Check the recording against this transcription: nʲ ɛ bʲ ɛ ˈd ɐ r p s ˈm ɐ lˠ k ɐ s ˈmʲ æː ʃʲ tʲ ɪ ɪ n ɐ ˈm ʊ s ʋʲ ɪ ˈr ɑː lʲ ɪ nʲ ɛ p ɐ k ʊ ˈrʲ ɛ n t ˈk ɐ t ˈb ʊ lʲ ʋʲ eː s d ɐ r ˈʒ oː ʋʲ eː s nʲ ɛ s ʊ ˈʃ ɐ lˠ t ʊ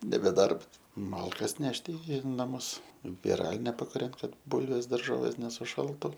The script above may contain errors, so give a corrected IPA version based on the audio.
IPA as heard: nʲ ɛ bʲ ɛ ˈd ɐ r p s ˈm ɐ lˠ k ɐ s ˈnʲ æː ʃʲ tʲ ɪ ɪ n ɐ ˈm ʊ s ʋʲ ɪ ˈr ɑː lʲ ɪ nʲ ɛ p ɐ k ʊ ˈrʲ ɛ n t ˈk ɐ t ˈb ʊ lʲ ʋʲ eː s d ɐ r ˈʒ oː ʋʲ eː s nʲ ɛ s ʊ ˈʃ ɐ lˠ t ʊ